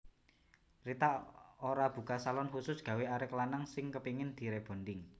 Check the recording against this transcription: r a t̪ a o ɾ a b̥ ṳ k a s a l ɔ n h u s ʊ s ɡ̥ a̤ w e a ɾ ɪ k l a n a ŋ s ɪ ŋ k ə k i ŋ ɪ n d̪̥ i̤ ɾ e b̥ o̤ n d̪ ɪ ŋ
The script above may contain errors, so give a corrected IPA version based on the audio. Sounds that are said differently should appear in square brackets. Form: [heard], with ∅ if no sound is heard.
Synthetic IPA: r [i] t̪ a o ɾ a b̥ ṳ k a s a l ɔ n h u s ʊ s ɡ̥ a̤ w e a ɾ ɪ k l a n a ŋ s ɪ ŋ k ə [p] i ŋ ɪ n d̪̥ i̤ ɾ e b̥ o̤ n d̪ ɪ ŋ